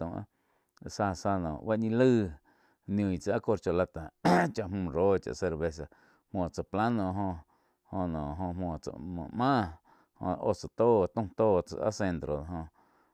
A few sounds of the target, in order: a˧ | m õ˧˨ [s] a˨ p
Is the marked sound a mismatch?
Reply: yes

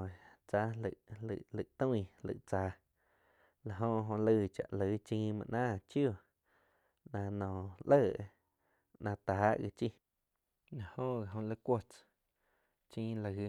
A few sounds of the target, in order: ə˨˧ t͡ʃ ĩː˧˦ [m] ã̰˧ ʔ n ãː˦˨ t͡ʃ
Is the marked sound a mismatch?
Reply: no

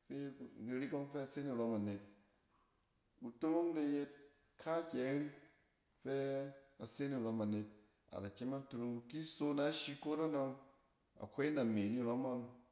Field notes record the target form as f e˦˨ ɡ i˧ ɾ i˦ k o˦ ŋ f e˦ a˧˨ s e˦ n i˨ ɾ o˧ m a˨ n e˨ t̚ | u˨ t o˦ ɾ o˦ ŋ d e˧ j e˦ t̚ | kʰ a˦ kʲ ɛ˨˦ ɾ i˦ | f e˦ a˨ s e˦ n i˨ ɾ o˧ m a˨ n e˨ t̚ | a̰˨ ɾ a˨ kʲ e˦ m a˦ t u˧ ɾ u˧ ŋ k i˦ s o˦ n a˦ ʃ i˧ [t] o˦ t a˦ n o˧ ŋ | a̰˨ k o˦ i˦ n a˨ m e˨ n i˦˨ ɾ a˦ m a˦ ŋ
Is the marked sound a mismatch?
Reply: yes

